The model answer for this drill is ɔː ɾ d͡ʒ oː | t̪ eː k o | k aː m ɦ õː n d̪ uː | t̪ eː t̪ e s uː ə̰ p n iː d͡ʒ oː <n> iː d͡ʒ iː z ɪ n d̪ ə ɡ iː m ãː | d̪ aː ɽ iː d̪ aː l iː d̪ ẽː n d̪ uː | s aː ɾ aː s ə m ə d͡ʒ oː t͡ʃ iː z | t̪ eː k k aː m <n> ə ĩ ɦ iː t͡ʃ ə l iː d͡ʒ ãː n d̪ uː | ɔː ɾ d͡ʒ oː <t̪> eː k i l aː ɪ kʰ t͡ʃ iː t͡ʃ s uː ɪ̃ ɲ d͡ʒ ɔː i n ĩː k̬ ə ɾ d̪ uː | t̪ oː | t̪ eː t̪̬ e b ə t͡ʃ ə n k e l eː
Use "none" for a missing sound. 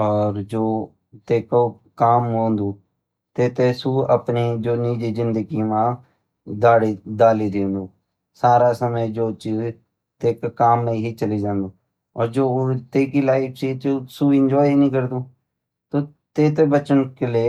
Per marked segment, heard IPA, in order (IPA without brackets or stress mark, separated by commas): n, n, t̪